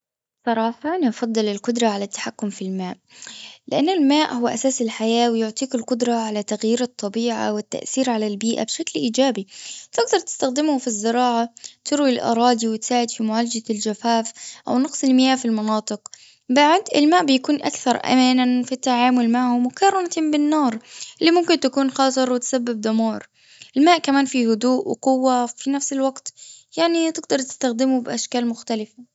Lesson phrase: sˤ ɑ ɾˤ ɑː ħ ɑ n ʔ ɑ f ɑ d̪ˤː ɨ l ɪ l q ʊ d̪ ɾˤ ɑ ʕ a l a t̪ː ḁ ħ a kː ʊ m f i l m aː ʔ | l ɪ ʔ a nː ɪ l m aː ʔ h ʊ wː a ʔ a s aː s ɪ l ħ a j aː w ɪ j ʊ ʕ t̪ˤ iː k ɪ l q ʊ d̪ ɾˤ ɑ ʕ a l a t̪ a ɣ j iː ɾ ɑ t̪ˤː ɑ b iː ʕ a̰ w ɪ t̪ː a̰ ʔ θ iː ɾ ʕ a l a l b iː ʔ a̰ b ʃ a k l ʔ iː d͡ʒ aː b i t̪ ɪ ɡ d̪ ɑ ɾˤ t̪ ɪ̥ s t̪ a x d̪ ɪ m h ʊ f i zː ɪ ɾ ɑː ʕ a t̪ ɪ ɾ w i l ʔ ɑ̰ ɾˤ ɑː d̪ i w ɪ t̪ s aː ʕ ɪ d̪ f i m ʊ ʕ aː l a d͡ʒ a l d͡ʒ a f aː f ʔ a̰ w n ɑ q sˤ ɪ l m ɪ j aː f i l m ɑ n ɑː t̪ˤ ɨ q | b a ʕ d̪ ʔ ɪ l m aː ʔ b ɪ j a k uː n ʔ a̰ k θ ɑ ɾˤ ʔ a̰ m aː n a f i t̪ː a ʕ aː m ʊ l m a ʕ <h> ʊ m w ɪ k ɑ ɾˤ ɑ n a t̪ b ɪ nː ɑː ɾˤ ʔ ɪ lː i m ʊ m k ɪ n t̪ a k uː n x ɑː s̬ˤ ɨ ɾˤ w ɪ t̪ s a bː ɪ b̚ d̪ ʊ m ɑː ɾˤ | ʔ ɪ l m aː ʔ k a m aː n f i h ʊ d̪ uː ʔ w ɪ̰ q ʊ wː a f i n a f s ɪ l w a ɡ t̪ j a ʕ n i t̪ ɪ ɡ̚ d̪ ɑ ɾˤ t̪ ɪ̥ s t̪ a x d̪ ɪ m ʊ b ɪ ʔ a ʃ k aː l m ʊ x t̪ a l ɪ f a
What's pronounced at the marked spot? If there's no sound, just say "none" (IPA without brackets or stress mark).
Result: h